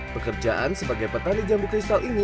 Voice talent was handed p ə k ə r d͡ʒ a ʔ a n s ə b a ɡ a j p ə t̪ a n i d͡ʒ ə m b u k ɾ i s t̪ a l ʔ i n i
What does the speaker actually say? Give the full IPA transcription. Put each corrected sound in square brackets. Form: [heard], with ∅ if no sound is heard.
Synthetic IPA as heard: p ə k ə r d͡ʒ a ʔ a n s ə b a ɡ a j p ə t̪ a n i d͡ʒ [a] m b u k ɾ i s t̪ a l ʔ i n i

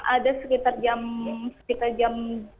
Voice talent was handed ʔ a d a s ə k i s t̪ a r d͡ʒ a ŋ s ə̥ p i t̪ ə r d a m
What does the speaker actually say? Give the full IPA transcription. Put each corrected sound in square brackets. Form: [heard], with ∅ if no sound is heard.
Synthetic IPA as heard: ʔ a d a s ə k i [∅] t̪ a r d͡ʒ a [m] s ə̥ [k] i t̪ [a] r [d͡ʒ] a m

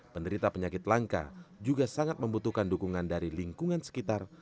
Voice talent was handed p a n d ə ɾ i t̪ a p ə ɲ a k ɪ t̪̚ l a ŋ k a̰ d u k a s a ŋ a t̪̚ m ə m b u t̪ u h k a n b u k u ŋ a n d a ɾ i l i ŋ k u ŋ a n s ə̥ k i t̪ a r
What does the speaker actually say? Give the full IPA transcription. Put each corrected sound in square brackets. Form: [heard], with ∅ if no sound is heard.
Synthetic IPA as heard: p [ə] n d ə ɾ i t̪ a p ə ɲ a k ɪ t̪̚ l a ŋ k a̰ [d͡ʒ] u [ɡ] a s a ŋ a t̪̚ m ə m b u t̪ u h k a n [d] u k u ŋ a n d a ɾ i l i ŋ k u ŋ a n s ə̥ k i t̪ a r

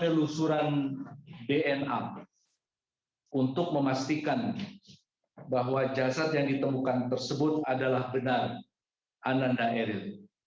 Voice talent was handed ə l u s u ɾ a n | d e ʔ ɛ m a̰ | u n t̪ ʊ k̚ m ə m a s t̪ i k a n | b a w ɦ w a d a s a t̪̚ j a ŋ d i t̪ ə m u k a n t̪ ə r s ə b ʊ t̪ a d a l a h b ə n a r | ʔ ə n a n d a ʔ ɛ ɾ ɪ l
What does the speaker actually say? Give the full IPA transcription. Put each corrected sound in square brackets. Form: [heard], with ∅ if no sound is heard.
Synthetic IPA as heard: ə l u s u ɾ a n | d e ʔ ɛ [n] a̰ | u n t̪ ʊ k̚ m ə m a s t̪ i k a n | b a [∅] ɦ w a [d͡ʒ] a s a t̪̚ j a ŋ d i t̪ ə m u k a n t̪ ə r s ə b ʊ t̪ a d a l a h b ə n a r | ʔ [a] n a n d a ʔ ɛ ɾ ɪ l

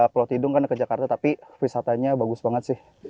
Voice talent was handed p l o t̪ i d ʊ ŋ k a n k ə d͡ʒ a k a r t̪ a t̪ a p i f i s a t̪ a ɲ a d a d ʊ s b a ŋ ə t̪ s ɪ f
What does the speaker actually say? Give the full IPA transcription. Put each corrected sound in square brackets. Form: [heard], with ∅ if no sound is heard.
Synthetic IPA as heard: p l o t̪ i d ʊ ŋ k a n k ə d͡ʒ a k a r t̪ a t̪ a p i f i s a t̪ a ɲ a [b] a [ɡ] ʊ s b a ŋ ə t̪ s ɪ [h]

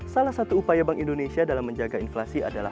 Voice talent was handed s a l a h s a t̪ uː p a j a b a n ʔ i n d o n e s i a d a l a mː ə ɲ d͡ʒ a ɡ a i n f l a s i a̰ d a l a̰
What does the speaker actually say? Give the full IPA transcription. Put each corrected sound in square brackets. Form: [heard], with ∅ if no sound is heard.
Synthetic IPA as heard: s a l a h s a t̪ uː p a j a b a [ŋ] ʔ i n d o n e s i a d a l a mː ə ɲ d͡ʒ a ɡ a i n f l a s i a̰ d a l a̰

